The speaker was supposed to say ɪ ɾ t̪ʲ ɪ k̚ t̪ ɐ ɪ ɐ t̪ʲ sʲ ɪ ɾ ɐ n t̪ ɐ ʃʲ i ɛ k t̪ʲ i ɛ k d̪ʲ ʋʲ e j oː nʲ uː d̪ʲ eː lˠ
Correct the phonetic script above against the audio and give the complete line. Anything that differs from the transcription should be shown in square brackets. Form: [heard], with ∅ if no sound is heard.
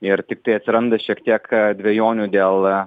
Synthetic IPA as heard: ɪ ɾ t̪ʲ ɪ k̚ t̪ ɐ ɪ ɐ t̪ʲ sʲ ɪ ɾ ɐ n [d̪] ɐ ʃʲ i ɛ k t̪ʲ i ɛ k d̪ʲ ʋʲ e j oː nʲ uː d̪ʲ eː lˠ

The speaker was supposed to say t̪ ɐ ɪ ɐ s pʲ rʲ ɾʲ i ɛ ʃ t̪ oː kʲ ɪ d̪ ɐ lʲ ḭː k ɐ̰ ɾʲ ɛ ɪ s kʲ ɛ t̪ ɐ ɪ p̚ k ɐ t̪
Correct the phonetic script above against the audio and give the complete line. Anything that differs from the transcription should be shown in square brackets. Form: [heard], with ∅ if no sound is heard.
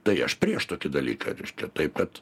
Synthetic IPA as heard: t̪ ɐ ɪ ɐ [ʃ] pʲ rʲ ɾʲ i ɛ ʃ t̪ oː kʲ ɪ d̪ ɐ lʲ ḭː k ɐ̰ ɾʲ ɛ ɪ [ʃ] kʲ ɛ t̪ ɐ ɪ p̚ k ɐ t̪

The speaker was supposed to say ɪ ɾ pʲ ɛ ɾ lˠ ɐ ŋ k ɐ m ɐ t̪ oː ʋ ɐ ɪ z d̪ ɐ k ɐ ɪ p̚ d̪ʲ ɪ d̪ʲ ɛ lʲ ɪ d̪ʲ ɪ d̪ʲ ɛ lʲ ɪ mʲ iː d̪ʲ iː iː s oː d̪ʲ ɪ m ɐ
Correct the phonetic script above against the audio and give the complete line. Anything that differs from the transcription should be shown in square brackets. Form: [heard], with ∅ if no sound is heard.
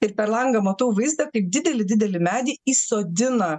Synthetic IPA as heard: ɪ ɾ pʲ ɛ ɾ lˠ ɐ ŋ [ɡ] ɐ m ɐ t̪ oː ʋ ɐ ɪ z d̪ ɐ k ɐ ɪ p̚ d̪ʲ ɪ d̪ʲ ɛ lʲ ɪ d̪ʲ ɪ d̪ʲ ɛ lʲ ɪ mʲ [æː] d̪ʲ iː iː s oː d̪ʲ ɪ [n] ɐ

